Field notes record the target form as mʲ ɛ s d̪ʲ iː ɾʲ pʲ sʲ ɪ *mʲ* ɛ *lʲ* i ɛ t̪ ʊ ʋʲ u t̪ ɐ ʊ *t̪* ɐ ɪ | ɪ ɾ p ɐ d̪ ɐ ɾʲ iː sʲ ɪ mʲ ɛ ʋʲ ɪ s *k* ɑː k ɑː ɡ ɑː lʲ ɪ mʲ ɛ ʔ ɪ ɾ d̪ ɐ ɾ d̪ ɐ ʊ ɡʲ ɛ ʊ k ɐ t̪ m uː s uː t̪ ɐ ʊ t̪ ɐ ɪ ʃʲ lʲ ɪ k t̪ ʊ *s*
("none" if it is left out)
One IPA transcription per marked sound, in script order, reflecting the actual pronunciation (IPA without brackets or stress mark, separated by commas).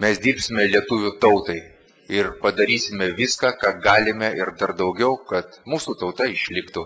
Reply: mʲ, lʲ, t̪, k, none